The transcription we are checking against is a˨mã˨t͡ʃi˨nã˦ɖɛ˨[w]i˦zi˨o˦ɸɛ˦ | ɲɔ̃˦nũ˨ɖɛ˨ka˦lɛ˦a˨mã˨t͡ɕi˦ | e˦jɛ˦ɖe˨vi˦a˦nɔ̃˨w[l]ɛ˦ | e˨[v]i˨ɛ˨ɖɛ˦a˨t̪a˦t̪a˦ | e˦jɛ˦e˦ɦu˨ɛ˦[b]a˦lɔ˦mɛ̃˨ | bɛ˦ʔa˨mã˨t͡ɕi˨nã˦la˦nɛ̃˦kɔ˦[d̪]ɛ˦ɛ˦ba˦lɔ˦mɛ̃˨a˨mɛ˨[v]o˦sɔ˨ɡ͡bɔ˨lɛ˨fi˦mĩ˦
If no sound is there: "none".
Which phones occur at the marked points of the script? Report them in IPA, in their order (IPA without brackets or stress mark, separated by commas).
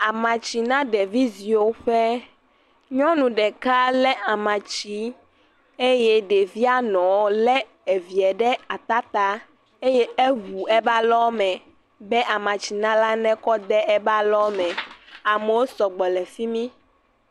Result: v, l, v, b, d̪, w